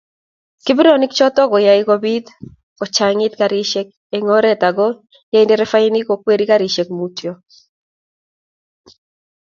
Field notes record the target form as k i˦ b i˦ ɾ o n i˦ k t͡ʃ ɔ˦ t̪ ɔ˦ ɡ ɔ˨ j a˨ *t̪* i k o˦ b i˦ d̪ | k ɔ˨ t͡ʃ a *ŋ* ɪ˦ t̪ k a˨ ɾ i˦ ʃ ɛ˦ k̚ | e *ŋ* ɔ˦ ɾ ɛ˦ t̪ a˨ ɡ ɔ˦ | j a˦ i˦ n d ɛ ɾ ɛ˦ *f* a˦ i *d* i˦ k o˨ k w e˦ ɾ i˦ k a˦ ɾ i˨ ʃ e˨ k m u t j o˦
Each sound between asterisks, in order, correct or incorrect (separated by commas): incorrect, correct, correct, correct, incorrect